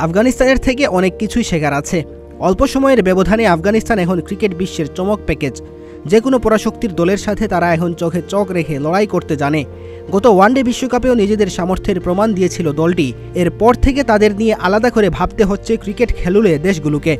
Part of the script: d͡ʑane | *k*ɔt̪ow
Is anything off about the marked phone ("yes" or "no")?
yes